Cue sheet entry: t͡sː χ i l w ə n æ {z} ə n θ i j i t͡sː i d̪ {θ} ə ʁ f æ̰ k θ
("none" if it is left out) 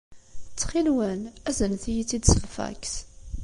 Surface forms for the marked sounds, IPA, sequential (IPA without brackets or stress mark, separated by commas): z, s